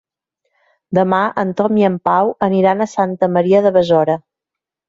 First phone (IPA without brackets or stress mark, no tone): d̪